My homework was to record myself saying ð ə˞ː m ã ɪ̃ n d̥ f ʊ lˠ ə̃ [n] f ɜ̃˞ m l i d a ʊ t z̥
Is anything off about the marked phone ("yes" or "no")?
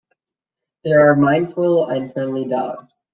no